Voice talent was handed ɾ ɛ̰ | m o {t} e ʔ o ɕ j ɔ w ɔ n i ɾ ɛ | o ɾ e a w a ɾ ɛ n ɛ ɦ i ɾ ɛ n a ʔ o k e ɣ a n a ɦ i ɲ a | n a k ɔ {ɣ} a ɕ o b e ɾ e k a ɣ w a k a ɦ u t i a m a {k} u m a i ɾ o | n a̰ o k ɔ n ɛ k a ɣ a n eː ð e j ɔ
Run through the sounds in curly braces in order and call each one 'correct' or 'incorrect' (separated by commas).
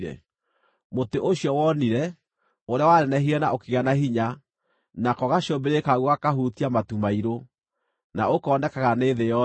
correct, correct, incorrect